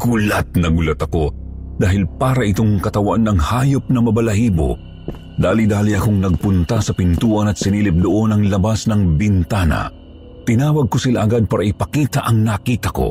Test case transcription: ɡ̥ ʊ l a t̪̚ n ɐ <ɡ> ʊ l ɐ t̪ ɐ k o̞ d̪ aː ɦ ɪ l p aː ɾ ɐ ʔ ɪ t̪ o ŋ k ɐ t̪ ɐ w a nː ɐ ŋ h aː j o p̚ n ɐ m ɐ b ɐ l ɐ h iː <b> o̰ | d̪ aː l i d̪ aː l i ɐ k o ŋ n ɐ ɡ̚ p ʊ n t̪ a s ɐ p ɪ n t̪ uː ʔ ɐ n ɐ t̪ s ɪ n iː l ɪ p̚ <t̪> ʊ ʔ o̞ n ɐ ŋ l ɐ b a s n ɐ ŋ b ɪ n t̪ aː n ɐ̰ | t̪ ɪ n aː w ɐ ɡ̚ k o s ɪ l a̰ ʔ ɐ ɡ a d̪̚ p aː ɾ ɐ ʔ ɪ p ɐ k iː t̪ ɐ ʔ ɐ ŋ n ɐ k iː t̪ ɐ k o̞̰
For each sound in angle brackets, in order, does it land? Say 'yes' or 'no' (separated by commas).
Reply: yes, yes, no